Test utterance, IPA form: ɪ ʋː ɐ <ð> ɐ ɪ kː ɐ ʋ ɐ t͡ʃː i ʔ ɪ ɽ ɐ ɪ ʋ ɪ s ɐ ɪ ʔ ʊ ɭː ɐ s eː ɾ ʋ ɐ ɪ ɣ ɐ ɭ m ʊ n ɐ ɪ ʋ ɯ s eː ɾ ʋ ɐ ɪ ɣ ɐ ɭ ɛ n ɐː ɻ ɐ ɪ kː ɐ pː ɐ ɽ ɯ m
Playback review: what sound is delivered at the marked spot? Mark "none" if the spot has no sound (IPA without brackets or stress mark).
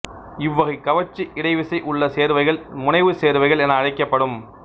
ɣ